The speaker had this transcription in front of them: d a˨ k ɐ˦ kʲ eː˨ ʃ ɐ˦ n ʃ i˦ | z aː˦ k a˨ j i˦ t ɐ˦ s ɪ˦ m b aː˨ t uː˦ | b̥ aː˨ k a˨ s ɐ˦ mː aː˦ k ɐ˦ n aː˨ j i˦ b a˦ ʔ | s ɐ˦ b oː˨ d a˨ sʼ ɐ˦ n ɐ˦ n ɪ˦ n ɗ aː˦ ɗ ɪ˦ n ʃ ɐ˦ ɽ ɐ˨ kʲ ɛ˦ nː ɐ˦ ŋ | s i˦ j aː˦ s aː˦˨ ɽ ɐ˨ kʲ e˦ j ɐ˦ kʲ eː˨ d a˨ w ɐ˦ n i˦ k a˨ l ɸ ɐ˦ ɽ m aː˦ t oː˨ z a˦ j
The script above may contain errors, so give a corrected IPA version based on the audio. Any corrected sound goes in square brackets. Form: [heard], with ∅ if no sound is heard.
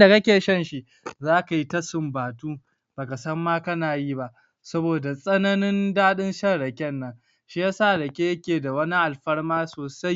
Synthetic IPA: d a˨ k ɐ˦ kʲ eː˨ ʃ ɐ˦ n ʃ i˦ | z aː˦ k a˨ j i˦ t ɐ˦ s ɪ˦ m b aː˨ t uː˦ | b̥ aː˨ k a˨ s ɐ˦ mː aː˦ k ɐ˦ n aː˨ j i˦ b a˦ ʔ | s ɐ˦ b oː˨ d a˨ sʼ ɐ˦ n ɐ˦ n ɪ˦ n [d] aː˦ ɗ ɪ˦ n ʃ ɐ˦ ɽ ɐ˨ kʲ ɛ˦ nː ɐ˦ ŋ | [ʃ] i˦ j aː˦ s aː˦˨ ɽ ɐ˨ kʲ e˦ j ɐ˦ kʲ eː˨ d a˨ w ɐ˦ n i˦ [ʔ] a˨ l ɸ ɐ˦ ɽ m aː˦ [s] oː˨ [s] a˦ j